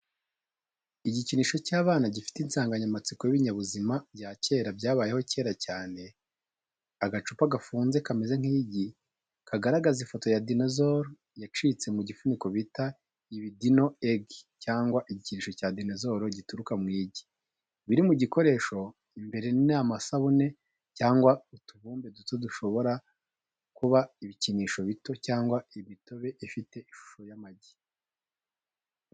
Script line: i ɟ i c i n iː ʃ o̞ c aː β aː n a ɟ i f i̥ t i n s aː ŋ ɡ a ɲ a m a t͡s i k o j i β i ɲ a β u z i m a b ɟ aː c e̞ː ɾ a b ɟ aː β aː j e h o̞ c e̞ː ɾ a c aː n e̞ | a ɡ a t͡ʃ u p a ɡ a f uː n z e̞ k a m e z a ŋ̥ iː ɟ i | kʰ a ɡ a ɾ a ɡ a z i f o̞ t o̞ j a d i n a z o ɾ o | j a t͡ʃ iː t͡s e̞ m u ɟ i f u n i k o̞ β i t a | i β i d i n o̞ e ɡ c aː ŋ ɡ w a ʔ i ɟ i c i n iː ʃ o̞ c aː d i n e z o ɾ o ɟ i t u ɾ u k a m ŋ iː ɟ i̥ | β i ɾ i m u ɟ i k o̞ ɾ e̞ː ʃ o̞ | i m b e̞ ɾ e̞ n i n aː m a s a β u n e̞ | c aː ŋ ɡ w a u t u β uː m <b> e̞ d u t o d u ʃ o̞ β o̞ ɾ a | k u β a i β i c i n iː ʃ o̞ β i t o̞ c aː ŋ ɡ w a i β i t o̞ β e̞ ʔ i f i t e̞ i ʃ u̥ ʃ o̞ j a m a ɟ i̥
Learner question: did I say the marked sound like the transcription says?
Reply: yes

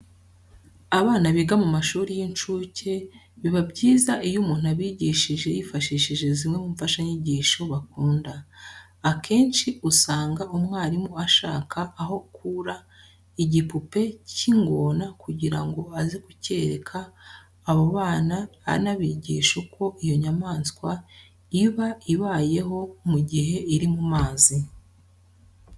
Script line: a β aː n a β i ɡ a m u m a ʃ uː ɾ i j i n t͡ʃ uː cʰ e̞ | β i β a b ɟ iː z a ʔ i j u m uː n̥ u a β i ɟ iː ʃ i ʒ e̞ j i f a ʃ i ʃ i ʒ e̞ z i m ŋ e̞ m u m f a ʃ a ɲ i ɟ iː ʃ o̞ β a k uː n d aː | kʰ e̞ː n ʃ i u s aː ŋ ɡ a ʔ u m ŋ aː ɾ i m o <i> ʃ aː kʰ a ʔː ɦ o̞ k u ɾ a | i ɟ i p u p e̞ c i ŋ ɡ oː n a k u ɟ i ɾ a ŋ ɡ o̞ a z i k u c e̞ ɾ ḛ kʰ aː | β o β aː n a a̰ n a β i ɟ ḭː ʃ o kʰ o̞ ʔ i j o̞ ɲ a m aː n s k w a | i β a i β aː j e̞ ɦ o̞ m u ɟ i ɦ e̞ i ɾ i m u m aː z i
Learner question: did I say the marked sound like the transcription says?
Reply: no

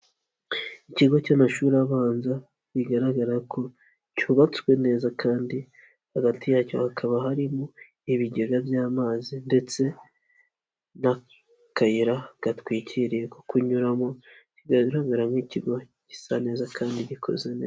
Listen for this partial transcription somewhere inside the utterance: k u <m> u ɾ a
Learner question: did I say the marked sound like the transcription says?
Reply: no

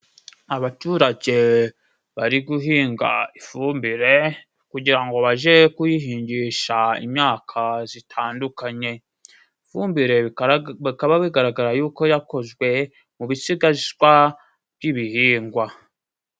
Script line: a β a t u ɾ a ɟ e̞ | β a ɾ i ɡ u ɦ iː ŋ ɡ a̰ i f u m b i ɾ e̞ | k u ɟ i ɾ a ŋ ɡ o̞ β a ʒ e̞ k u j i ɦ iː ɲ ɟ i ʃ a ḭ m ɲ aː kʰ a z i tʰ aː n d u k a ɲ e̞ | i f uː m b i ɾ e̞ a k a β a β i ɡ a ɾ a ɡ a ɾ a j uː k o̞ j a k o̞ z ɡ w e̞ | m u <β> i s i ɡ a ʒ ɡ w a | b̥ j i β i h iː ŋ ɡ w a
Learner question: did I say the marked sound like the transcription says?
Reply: yes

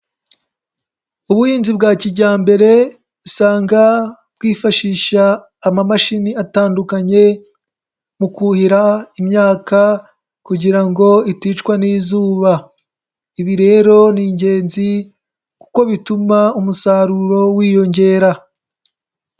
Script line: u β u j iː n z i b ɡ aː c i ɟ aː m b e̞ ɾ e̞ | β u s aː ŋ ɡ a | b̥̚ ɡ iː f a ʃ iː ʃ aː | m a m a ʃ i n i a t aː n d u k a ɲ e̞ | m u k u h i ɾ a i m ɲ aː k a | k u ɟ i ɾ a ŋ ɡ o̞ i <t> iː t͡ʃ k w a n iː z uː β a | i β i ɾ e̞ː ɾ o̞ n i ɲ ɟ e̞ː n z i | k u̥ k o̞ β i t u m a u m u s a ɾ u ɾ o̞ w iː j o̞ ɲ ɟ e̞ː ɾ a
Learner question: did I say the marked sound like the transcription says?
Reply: yes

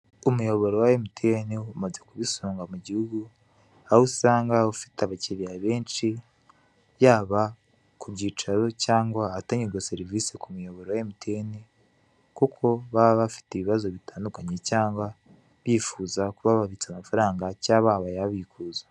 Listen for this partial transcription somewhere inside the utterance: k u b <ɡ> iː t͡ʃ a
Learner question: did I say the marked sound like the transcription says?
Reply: no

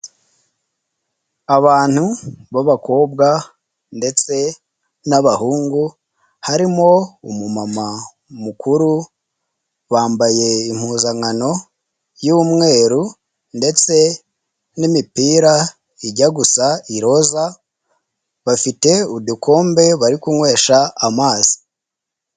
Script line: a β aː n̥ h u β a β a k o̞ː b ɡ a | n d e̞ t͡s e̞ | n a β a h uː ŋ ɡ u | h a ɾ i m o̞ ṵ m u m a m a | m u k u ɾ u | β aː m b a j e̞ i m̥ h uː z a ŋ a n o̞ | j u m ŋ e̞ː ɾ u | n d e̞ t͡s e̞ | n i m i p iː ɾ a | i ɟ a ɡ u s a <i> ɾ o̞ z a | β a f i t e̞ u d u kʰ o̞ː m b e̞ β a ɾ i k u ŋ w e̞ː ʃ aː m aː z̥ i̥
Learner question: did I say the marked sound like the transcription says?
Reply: yes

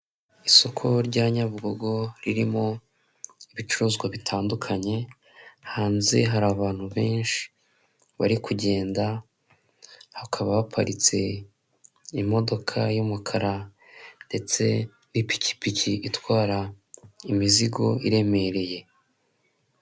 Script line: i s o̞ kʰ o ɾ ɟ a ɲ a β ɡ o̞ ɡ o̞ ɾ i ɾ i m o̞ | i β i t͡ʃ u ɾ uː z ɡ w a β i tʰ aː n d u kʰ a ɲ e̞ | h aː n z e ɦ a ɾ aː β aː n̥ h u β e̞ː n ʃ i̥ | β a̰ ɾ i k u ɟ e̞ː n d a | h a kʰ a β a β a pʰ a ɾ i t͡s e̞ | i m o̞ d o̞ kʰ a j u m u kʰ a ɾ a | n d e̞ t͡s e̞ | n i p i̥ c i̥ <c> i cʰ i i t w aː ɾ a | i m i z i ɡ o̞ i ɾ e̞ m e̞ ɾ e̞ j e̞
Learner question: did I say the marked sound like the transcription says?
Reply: no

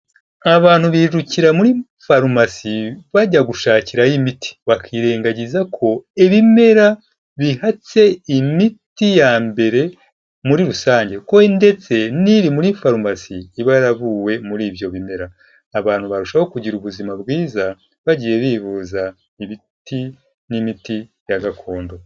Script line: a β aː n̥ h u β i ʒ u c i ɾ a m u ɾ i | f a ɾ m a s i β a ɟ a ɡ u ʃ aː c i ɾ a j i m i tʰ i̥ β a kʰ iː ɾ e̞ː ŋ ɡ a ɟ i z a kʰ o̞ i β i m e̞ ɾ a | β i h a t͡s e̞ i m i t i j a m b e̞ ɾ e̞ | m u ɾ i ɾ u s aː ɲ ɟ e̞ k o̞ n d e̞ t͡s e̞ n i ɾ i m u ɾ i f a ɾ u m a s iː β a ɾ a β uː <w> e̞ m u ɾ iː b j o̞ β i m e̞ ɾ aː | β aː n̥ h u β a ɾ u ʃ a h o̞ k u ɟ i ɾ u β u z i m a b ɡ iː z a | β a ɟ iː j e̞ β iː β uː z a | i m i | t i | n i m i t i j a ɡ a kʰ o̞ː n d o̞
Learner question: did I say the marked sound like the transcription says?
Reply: yes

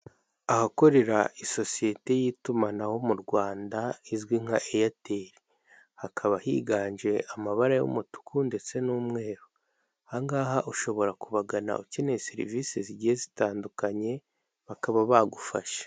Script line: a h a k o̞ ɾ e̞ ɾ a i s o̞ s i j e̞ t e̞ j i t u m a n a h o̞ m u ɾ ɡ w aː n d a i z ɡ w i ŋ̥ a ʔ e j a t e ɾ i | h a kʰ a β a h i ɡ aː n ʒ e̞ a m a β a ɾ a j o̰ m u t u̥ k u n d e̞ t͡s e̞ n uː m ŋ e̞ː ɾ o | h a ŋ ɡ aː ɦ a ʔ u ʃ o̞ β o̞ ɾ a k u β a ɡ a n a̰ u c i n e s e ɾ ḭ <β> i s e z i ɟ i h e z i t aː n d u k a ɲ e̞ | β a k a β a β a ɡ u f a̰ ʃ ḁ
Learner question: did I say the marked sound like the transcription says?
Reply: no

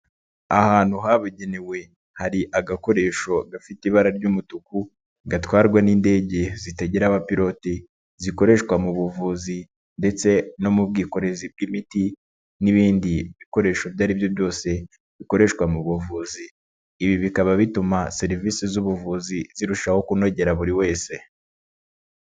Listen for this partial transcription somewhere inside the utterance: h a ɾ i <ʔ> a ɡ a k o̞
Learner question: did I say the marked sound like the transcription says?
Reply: yes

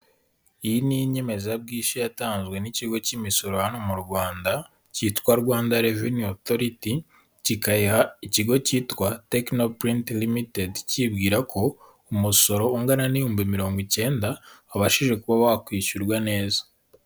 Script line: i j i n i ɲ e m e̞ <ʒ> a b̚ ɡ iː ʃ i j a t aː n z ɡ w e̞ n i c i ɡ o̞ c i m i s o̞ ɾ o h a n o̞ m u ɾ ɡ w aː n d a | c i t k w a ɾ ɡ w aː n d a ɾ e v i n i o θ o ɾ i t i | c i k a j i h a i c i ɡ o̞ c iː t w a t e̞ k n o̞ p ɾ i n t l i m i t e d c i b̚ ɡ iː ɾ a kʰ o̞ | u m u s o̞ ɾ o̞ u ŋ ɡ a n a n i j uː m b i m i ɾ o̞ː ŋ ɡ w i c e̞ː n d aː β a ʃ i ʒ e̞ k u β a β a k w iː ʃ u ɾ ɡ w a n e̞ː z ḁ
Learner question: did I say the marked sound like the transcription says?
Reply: no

